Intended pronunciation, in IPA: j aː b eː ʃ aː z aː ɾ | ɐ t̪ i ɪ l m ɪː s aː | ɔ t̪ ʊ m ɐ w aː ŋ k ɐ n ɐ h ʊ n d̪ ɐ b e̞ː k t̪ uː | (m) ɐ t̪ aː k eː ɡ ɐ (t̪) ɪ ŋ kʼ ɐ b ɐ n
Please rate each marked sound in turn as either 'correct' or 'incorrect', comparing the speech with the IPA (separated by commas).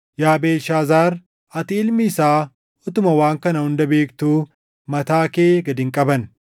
correct, incorrect